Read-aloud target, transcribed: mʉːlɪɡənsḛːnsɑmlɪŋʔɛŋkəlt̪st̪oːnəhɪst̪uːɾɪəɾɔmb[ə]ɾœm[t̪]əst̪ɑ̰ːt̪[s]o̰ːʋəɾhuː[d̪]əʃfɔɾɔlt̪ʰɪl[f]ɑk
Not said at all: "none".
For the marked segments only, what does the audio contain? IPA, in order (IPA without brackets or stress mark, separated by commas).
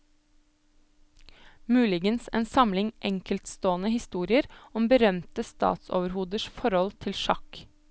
ə, t̪, s, d̪, ʃ